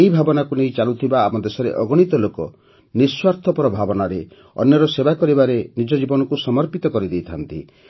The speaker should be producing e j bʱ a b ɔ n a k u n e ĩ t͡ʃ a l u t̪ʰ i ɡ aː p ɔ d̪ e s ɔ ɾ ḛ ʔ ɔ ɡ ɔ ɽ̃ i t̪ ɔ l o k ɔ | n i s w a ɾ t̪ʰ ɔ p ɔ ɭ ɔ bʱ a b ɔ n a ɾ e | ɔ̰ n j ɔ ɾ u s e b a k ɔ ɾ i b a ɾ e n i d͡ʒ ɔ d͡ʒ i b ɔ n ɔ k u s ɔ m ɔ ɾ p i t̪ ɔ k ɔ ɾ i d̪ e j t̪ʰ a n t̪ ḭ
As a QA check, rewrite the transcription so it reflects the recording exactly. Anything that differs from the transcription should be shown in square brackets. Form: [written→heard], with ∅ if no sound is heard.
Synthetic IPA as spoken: e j bʱ a b ɔ n a k u n e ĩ t͡ʃ a l u t̪ʰ i [ɡ→b] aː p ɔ d̪ e s ɔ ɾ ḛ ʔ ɔ ɡ ɔ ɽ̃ i t̪ ɔ l o k ɔ | n i s w a ɾ t̪ʰ ɔ p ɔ [ɭ→ɾ] ɔ bʱ a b ɔ n a ɾ e | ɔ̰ n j ɔ ɾ [u→ɔ] s e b a k ɔ ɾ i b a ɾ e n i d͡ʒ ɔ d͡ʒ i b ɔ n ɔ k u s ɔ m ɔ ɾ p i t̪ ɔ k ɔ ɾ i d̪ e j t̪ʰ a n t̪ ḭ